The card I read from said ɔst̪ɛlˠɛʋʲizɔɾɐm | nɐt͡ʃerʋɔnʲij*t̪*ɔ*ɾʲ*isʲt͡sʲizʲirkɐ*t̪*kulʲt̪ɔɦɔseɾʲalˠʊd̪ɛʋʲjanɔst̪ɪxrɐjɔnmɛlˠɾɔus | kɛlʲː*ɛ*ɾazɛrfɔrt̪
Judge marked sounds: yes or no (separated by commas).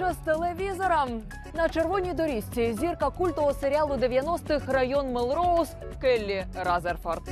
no, yes, no, no